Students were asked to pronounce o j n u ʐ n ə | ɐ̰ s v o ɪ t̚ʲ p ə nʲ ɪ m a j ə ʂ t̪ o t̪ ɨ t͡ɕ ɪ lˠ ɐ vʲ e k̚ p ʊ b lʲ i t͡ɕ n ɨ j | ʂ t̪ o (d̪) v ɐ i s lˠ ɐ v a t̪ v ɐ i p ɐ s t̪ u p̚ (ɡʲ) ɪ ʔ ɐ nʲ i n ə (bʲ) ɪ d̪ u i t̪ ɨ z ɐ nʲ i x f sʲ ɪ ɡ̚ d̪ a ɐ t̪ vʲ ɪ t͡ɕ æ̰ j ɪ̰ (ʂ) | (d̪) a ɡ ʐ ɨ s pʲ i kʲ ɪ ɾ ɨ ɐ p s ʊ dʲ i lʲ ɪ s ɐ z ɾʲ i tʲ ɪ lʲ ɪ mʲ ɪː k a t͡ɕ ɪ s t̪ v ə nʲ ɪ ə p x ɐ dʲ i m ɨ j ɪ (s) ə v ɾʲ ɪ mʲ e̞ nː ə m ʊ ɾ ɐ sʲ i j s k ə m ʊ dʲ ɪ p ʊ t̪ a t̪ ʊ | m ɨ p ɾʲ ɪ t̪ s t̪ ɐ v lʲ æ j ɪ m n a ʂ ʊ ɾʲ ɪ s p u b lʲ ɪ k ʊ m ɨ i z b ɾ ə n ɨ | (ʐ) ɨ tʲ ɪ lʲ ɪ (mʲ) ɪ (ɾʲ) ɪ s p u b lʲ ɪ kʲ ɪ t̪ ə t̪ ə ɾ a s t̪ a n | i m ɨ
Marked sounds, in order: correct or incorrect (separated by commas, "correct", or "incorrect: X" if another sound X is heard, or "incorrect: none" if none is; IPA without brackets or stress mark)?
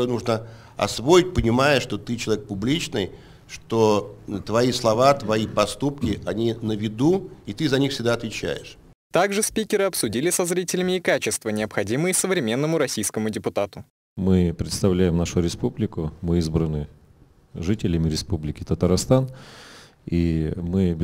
incorrect: t̪, incorrect: kʲ, incorrect: vʲ, correct, incorrect: t̪, correct, correct, correct, correct